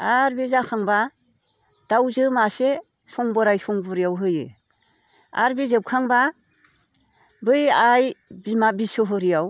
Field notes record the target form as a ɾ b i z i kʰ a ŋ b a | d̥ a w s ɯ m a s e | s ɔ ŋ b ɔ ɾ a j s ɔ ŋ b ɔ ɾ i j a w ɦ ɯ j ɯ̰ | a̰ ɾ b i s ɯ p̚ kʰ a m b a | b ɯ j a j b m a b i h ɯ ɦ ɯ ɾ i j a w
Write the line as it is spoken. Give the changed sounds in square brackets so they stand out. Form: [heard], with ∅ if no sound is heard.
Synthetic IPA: a ɾ b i z [a] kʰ a ŋ b a | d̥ a w [z] ɯ m a s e | s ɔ ŋ b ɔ ɾ a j s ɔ ŋ b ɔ ɾ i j a w ɦ ɯ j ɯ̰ | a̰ ɾ b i [z] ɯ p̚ kʰ a [ŋ] b a | b ɯ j a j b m a b i [s] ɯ ɦ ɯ ɾ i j a w